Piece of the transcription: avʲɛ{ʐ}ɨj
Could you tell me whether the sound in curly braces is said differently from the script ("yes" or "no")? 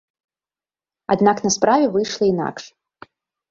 yes